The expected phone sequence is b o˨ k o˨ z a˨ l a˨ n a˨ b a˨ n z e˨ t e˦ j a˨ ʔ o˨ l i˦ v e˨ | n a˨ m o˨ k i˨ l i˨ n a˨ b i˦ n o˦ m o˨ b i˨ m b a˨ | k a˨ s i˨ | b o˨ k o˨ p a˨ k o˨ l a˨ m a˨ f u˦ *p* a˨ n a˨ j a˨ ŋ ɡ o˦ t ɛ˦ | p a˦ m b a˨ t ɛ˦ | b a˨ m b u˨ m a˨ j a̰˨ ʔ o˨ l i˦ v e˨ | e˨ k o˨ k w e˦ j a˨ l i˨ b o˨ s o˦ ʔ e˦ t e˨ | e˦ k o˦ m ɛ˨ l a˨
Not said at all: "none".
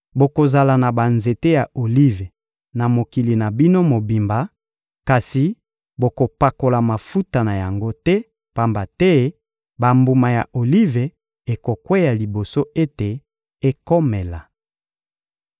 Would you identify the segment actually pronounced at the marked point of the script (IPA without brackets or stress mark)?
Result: t